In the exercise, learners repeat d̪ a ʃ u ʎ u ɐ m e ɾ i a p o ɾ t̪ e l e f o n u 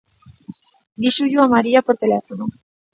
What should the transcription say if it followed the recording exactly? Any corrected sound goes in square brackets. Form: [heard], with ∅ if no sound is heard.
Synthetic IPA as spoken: d̪ [i] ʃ u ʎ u [a] m [a] ɾ i a p o ɾ t̪ e l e f o n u